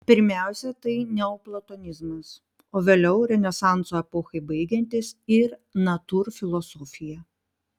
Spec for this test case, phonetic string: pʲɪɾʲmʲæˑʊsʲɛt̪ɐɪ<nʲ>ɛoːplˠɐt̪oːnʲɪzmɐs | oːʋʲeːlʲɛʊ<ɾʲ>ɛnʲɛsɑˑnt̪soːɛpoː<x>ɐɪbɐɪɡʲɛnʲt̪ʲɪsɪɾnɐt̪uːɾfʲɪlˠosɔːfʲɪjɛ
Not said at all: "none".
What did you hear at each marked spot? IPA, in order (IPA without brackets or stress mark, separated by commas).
nʲ, ɾʲ, x